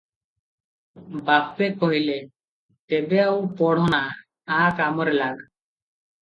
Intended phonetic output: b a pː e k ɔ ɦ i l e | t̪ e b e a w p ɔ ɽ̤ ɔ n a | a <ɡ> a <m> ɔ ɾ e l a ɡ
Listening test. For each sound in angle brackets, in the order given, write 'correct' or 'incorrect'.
incorrect: k, correct

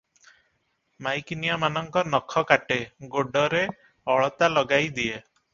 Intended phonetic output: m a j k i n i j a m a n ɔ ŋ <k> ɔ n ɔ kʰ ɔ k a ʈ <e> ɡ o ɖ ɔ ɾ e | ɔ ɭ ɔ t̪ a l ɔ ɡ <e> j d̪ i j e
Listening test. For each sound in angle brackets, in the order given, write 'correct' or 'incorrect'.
correct, correct, incorrect: a

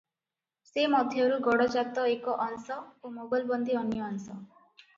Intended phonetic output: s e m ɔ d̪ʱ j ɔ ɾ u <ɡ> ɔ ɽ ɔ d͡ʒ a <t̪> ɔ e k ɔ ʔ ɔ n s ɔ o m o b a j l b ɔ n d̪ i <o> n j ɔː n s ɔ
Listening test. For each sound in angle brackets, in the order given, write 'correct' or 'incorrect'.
correct, correct, incorrect: ɔ

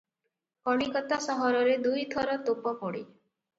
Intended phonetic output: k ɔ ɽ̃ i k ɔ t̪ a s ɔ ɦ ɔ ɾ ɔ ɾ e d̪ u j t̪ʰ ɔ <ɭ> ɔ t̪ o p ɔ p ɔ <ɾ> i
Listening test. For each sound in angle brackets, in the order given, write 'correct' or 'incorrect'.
incorrect: ɾ, incorrect: ɽ

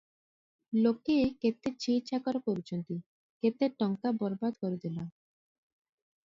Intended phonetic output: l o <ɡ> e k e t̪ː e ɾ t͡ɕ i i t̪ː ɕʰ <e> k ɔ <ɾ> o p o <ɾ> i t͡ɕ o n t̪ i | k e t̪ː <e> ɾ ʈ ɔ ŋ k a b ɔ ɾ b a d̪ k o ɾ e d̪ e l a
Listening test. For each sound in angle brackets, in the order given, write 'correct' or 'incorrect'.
incorrect: k, incorrect: a, correct, correct, correct

